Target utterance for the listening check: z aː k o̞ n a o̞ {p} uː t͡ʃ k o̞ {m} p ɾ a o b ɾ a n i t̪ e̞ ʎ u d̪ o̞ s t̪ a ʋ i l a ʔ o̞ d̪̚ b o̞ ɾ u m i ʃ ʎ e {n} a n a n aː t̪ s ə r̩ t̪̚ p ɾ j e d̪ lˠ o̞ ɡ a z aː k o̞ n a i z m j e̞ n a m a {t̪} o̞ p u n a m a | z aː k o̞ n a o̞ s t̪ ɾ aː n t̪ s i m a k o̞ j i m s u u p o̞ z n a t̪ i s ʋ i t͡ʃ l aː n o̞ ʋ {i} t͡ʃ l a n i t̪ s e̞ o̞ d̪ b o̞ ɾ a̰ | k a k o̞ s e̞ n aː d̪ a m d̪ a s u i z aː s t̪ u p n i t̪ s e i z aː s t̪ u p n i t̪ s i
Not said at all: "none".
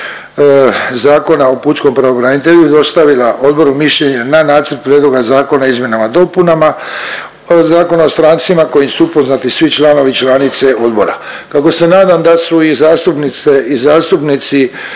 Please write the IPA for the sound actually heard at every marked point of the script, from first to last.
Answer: p, m, ɲ, d̪, i

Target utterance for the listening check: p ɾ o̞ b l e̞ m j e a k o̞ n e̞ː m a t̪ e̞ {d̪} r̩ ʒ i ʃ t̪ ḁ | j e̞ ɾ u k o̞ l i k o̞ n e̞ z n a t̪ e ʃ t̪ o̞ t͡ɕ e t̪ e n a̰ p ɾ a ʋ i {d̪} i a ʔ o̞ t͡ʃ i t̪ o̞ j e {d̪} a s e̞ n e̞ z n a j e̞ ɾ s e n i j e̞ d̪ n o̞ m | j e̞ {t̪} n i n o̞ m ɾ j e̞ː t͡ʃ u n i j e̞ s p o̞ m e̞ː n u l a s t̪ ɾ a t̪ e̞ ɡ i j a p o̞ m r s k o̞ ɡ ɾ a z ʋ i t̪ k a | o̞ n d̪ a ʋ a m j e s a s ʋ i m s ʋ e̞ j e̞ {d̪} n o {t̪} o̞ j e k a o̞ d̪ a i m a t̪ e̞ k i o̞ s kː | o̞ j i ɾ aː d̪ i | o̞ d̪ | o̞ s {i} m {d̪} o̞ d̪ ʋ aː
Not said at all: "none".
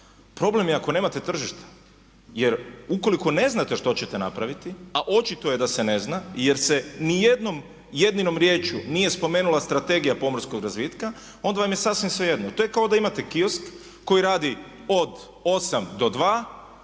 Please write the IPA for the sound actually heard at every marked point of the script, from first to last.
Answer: t̪, t̪, d̪, d̪, d̪, t̪, a, d̪

